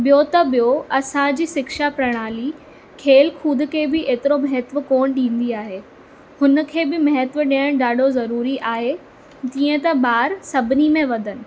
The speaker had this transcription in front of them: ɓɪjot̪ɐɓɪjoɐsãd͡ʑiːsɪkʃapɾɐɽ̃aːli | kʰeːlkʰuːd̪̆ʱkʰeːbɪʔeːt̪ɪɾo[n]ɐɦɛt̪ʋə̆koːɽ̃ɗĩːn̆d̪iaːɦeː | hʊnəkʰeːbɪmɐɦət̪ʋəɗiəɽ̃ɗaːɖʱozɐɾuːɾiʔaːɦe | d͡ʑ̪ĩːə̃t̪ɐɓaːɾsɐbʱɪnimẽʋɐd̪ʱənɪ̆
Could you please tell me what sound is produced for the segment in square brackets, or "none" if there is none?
m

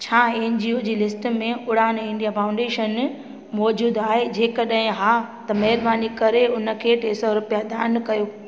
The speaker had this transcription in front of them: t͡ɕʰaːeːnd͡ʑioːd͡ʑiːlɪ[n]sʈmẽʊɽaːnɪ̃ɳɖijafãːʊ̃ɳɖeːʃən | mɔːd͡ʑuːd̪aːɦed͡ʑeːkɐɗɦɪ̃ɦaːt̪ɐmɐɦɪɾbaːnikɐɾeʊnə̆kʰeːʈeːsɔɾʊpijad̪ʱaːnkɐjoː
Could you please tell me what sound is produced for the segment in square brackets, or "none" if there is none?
none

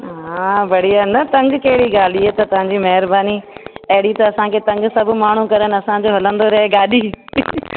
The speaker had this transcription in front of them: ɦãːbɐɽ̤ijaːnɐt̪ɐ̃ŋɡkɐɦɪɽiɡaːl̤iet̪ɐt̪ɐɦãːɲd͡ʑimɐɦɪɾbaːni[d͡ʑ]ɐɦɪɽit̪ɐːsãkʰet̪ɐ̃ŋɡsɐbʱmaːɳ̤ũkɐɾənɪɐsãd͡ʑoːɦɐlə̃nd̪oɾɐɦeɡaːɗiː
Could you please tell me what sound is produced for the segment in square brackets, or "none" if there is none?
none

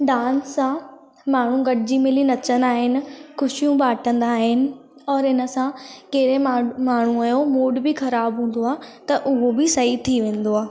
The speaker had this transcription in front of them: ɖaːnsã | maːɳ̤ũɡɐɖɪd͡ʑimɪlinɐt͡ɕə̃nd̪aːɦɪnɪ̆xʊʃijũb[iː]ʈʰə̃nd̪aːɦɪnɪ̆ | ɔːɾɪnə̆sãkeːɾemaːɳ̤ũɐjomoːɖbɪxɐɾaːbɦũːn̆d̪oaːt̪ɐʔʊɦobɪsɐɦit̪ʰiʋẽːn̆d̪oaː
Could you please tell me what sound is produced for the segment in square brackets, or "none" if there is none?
aː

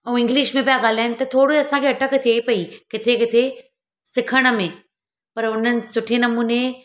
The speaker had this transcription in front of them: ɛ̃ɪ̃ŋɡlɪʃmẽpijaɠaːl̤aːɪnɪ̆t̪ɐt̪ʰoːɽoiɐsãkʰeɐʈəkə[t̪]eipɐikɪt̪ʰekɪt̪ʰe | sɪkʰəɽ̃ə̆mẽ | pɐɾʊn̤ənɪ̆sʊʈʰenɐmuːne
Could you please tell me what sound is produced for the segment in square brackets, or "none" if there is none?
t̪ʰ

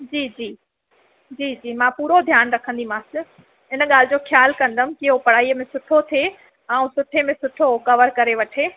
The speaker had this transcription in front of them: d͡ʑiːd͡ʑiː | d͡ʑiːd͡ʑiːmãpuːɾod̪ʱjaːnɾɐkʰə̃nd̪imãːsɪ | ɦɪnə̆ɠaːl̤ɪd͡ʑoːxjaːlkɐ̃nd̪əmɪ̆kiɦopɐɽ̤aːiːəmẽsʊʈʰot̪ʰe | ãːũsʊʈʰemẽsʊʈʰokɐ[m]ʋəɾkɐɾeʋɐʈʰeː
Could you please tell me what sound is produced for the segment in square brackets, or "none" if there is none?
none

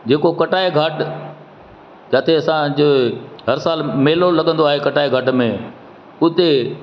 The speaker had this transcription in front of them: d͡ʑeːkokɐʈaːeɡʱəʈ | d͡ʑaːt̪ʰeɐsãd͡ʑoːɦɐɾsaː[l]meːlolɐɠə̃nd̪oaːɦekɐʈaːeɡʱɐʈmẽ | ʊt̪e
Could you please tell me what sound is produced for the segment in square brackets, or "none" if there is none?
l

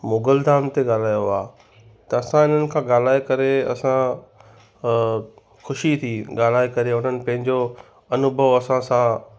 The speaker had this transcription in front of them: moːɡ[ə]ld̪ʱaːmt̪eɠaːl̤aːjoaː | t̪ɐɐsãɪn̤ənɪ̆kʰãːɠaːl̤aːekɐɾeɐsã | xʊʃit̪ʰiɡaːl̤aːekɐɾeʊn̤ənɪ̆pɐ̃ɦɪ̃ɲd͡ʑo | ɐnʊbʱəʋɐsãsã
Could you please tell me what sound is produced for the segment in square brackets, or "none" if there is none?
ə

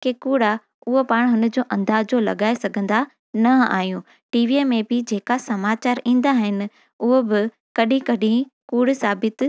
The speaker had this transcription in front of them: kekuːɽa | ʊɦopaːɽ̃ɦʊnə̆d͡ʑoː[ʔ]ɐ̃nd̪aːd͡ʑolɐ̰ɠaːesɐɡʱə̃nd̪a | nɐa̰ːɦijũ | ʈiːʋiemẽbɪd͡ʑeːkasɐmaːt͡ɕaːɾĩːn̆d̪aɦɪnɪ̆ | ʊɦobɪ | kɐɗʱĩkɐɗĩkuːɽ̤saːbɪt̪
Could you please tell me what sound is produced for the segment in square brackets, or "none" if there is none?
ʔ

